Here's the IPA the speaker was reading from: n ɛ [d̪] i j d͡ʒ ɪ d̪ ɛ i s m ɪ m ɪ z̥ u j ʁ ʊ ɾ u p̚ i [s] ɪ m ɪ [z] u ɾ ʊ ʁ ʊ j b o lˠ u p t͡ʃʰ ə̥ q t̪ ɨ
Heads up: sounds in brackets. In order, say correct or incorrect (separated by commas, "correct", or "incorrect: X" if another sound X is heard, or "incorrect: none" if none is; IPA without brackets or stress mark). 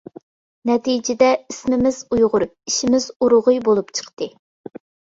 incorrect: t̪, incorrect: ʃ, correct